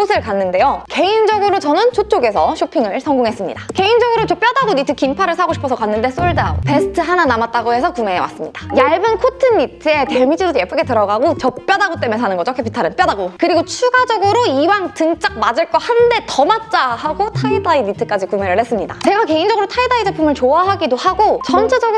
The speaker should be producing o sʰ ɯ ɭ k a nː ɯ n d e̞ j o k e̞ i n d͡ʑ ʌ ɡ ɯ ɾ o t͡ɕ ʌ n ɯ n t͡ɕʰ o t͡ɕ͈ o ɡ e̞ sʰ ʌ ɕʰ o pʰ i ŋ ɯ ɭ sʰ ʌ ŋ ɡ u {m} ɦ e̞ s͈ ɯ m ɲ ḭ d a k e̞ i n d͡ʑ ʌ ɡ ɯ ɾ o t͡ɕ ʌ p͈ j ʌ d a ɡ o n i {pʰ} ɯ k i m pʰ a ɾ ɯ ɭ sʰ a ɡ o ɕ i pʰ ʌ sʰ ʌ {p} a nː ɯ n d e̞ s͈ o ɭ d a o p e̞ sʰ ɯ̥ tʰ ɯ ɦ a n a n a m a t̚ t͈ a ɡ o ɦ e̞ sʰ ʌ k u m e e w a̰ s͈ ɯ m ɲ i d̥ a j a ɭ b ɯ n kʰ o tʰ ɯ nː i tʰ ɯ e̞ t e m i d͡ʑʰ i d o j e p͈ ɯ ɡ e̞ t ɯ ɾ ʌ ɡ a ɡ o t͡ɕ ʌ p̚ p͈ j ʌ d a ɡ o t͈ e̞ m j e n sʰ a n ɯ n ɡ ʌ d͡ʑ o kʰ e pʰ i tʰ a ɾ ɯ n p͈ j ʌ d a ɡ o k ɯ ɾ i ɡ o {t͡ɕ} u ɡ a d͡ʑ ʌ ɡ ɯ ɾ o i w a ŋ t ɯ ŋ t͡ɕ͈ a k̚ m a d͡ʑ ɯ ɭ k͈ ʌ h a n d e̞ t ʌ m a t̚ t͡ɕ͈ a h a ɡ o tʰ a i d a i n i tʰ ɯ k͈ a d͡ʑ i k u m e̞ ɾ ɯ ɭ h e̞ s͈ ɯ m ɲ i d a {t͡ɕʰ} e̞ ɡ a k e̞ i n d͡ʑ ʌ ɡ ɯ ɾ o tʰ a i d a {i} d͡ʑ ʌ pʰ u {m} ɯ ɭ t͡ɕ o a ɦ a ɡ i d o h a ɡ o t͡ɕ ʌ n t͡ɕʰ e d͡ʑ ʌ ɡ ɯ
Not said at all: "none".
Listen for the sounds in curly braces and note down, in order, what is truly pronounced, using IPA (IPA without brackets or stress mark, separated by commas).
ŋ, tʰ, k, t͡ɕʰ, t͡ɕ, i, m